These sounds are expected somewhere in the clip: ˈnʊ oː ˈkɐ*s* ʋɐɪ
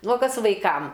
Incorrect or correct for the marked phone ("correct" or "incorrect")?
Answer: correct